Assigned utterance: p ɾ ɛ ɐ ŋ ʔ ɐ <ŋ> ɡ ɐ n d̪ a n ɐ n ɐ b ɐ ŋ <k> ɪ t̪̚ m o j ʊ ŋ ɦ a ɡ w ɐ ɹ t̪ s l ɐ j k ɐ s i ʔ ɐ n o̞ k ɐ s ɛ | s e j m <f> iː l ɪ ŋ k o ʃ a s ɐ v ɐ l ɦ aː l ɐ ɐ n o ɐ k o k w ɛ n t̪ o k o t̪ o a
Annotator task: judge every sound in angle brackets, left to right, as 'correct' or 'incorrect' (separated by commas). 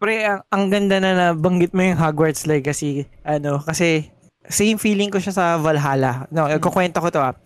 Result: correct, incorrect, correct